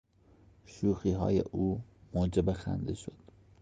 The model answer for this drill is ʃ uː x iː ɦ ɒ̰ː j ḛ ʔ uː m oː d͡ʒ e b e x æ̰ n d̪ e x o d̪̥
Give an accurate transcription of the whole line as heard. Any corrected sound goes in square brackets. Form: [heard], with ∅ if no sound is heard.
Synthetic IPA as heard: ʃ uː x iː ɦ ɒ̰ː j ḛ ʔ uː m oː d͡ʒ e b e x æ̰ n d̪ e [ʃ] o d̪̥